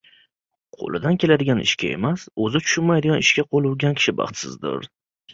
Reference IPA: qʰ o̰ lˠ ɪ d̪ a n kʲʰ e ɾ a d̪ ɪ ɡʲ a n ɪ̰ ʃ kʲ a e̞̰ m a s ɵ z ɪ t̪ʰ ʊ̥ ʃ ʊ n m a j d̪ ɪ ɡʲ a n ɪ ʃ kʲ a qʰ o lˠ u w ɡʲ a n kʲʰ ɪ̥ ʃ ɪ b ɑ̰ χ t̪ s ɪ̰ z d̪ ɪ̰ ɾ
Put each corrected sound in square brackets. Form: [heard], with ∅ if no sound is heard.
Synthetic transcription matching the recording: qʰ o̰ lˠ ɪ d̪ a n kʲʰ e [l] a d̪ ɪ ɡʲ a n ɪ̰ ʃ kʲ a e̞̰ m a s ɵ z ɪ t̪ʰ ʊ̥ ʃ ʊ n m a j d̪ ɪ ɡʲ a n ɪ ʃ kʲ a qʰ o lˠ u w ɡʲ a n kʲʰ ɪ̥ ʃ ɪ b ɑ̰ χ t̪ s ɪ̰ z d̪ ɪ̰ ɾ